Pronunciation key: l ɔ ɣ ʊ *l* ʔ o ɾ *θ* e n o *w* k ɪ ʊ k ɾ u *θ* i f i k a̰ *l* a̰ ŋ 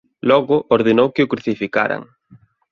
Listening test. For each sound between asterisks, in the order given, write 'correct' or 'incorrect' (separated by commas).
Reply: incorrect, incorrect, correct, correct, incorrect